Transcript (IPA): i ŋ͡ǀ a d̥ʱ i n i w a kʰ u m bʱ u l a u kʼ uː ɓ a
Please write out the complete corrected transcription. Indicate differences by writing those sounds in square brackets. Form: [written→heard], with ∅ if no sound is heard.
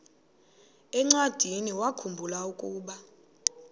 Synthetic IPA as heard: [i→ɛ] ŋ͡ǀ a d̥ʱ i n i w a kʰ u m bʱ u l a u kʼ uː ɓ a